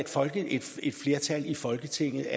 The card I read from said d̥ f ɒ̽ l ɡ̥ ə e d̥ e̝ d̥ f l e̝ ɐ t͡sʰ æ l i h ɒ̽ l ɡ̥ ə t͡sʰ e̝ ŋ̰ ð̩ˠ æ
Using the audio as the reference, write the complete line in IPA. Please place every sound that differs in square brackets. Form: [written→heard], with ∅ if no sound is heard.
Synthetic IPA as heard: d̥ f ɒ̽ l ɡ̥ ə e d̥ e̝ d̥ f l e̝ ɐ t͡sʰ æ l i [h→f] ɒ̽ l ɡ̥ ə t͡sʰ e̝ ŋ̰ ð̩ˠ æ